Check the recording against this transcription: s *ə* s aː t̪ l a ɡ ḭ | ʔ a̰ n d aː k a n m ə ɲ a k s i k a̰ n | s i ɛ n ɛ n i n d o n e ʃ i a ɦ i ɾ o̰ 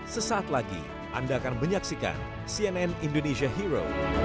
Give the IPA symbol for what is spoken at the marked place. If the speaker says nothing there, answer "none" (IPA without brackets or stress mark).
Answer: ə